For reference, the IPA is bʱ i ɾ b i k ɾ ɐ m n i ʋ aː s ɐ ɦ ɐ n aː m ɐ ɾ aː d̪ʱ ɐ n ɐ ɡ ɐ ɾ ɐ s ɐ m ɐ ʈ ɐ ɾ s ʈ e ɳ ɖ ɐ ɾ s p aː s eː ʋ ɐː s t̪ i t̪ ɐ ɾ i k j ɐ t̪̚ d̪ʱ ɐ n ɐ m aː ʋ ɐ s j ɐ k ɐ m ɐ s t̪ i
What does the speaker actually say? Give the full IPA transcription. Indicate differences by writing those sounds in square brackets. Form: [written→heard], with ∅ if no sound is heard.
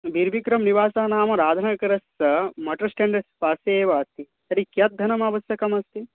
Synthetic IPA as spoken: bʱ i ɾ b i k ɾ ɐ m n i ʋ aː s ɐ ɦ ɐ n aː m ɐ ɾ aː d̪ʱ ɐ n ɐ [ɡ→k] ɐ ɾ ɐ s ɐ m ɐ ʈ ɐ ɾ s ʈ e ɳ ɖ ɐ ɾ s p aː s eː ʋ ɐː s t̪ i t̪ ɐ ɾ i k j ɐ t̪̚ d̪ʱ ɐ n ɐ m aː ʋ ɐ s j ɐ k ɐ m ɐ s t̪ i